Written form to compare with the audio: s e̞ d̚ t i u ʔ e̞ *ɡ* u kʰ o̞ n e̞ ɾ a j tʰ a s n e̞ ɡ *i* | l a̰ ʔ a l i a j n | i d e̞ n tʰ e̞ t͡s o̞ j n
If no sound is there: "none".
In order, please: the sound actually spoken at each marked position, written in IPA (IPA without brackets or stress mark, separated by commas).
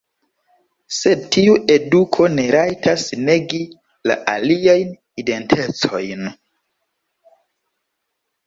d, i